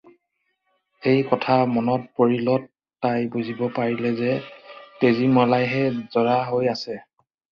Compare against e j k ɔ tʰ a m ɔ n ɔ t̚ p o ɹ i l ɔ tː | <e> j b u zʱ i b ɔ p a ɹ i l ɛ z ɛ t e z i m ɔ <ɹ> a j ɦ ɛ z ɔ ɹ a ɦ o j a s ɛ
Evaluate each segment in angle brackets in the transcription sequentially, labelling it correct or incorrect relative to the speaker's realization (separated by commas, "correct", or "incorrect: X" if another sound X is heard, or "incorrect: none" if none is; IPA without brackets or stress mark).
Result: incorrect: a, incorrect: l